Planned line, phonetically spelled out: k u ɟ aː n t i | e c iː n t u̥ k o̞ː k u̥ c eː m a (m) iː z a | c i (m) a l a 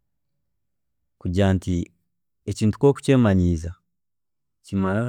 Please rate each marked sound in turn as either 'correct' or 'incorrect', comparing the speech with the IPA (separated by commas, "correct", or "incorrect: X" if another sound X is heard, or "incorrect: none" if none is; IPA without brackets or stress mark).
incorrect: ɲ, correct